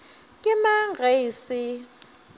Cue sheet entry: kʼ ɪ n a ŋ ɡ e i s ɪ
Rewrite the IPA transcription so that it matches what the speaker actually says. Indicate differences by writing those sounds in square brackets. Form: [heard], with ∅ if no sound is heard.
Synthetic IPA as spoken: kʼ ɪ [m] a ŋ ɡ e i s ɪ